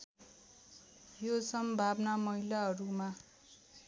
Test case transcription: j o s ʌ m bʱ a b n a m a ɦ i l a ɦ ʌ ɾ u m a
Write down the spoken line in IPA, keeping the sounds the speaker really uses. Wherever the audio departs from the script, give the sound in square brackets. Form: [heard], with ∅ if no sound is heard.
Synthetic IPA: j o s ʌ m bʱ a b n a m [ʌ] ɦ i l a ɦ ʌ ɾ u m a